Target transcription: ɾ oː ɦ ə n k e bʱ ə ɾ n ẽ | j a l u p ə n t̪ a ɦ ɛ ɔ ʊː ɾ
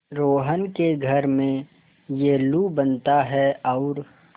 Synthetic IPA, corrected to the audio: ɾ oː ɦ ə n k e ɡʱ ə ɾ m ẽ | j e l u b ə n t̪ a ɦ ɛ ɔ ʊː ɾ